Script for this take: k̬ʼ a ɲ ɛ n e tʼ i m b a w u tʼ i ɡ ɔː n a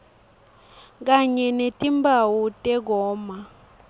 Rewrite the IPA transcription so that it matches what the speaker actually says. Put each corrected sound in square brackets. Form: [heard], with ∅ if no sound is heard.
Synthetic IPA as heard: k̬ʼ a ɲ ɛ n e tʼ i m b a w u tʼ [ɛ] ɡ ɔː [m] a